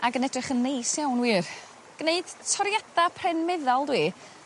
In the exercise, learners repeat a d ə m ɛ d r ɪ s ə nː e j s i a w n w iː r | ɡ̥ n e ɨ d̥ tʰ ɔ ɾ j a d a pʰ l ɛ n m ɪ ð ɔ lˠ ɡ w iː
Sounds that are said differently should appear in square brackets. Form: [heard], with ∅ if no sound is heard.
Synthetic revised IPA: a [ɡ] ə [n] ɛ d r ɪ [χ] ə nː e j s [j] a w n w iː r | ɡ̥ n e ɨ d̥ tʰ ɔ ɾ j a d a pʰ [r] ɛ n m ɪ ð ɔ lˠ [d] w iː